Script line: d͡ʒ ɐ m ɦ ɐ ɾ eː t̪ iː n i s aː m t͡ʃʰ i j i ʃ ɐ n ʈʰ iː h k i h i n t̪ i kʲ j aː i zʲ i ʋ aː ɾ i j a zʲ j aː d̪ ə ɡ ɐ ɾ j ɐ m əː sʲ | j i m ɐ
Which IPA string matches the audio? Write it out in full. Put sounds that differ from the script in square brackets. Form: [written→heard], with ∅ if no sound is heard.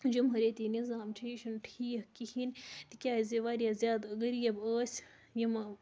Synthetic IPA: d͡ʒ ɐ m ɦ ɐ ɾ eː t̪ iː n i [s→z] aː m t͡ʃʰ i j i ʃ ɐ n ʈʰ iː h k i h i n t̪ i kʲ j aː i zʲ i ʋ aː ɾ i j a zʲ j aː d̪ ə ɡ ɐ ɾ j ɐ [m→b] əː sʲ | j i m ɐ